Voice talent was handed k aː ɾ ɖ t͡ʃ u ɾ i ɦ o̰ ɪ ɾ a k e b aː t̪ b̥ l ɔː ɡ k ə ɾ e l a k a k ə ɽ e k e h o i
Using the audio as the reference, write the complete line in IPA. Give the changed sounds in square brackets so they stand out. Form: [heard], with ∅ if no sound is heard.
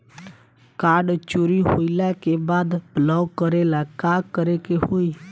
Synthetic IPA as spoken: k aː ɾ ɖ t͡ʃ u ɾ i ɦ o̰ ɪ [l] a k e b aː [d̪] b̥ l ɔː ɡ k ə ɾ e l a k a k ə [ɾ] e k e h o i

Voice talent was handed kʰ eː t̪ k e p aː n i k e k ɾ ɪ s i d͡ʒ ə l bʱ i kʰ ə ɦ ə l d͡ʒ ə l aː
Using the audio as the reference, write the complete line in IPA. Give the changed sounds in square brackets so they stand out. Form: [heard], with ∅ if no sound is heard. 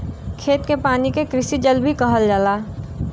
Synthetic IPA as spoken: kʰ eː t̪ k e p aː n i k e k ɾ ɪ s i d͡ʒ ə l bʱ i [k] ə ɦ ə l d͡ʒ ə l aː

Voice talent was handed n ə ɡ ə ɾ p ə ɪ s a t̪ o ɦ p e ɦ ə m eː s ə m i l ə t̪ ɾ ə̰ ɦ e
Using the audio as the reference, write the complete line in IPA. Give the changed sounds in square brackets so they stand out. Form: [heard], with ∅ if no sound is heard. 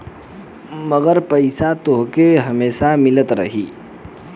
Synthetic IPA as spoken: [m] ə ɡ ə ɾ p ə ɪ s a t̪ o ɦ [k] e ɦ ə m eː s [a] m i l ə t̪ ɾ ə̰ ɦ [i]

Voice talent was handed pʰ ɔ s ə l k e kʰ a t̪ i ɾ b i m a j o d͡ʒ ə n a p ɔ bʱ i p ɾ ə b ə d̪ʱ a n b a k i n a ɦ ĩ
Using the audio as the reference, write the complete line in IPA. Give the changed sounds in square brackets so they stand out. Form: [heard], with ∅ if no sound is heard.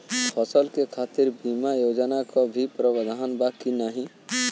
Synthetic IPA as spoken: pʰ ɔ s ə l k e kʰ a t̪ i ɾ b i m a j o d͡ʒ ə n a [k] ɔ bʱ i p ɾ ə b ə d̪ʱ a n b a k i n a ɦ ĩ

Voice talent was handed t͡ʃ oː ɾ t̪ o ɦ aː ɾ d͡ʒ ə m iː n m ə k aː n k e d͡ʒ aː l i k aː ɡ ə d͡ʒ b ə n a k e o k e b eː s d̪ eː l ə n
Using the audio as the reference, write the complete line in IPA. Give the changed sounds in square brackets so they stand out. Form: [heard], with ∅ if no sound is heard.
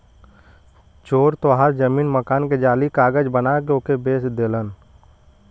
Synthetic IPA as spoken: t͡ʃ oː ɾ t̪ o ɦ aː ɾ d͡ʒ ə m iː n m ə k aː n k e d͡ʒ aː l i k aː ɡ ə d͡ʒ b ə n a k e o k e b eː s d̪ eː l ə n

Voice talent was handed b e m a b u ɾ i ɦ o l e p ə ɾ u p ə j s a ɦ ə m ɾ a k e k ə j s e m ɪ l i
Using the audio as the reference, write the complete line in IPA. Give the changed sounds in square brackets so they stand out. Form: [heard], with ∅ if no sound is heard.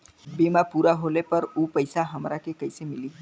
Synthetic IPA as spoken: b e m a [p] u ɾ [a] ɦ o l e p ə ɾ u p ə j s a ɦ ə m ɾ a k e k ə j s e m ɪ l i

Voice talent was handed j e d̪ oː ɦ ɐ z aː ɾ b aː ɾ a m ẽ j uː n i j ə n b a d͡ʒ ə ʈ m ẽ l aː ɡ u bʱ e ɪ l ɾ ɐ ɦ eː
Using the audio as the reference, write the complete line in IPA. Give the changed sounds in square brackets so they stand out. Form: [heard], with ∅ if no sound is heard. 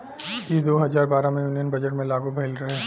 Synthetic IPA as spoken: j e d̪ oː ɦ ɐ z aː ɾ b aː ɾ a m ẽ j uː n i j ə n b [ɐ] d͡ʒ ə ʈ m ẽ l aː ɡ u bʱ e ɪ l ɾ ɐ ɦ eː

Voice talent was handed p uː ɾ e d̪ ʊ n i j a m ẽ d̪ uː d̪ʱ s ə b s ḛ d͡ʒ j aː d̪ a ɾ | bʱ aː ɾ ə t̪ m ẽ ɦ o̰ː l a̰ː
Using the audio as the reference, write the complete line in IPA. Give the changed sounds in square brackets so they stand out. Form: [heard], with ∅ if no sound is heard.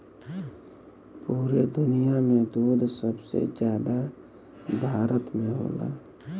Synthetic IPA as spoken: p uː ɾ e d̪ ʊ n i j a m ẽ d̪ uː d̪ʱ s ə b s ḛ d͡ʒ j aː d̪ a [∅] | bʱ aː ɾ ə t̪ m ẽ ɦ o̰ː l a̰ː

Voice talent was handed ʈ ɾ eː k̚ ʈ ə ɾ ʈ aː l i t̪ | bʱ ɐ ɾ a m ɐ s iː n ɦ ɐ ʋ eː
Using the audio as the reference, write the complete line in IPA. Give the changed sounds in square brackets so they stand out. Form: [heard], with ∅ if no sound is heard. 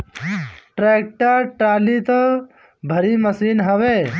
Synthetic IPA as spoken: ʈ ɾ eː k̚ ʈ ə ɾ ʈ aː l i t̪ | bʱ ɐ ɾ [i] m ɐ s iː n ɦ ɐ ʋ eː

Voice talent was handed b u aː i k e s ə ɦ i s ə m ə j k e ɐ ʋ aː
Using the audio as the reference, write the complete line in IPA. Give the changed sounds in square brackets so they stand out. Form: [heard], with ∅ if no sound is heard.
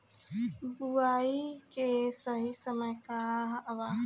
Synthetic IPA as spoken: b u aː i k e s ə ɦ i s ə m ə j k [a] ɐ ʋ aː

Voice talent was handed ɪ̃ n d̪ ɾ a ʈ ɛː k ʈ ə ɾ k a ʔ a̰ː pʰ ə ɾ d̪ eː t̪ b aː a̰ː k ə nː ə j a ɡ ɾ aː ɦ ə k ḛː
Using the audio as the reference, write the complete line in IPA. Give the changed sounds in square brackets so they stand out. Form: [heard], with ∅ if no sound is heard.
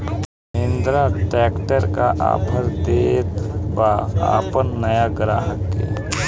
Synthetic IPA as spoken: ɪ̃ n d̪ ɾ a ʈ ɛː k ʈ ə ɾ k a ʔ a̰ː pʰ ə ɾ d̪ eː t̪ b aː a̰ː [p] ə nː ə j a ɡ ɾ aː ɦ ə k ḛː

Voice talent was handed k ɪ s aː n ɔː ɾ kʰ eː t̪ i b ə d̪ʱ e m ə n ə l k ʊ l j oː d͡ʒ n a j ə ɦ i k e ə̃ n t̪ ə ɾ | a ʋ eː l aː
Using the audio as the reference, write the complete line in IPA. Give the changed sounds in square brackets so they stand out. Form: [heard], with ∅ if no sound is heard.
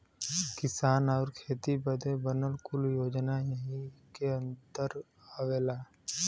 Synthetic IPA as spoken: k ɪ s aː n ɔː ɾ kʰ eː t̪ i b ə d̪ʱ e [b] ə n ə l k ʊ l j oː d͡ʒ n a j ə ɦ i k e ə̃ n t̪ ə ɾ | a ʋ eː l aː

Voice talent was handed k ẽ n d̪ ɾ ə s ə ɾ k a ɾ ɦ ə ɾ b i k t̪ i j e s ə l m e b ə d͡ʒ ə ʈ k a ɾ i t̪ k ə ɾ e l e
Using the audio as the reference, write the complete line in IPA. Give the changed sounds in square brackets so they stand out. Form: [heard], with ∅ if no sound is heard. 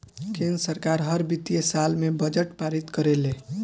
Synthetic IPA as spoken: k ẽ n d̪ ɾ ə s ə ɾ k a ɾ ɦ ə ɾ b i [∅] t̪ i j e s [a] l m e b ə d͡ʒ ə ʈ [p] a ɾ i t̪ k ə ɾ e l e

